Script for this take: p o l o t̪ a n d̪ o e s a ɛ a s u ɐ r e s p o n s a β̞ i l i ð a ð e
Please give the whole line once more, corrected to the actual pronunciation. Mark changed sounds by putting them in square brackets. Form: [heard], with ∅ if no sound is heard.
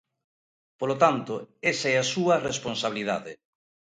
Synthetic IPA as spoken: p o l o t̪ a n [t̪] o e s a ɛ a s u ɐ r e s p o n s a β̞ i l i ð a ð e